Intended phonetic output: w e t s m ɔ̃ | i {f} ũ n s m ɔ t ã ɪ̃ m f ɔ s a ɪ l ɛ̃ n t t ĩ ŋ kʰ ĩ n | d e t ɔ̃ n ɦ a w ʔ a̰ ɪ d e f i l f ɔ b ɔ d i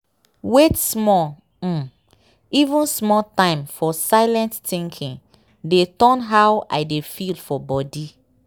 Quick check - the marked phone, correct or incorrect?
incorrect